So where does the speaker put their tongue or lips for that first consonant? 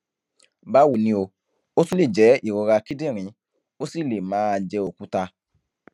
lips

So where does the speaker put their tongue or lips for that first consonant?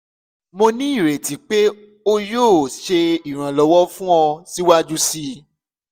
lips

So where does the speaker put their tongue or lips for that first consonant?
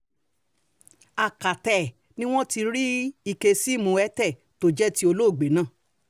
velum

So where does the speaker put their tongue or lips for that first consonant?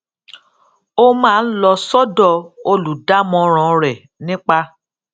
lips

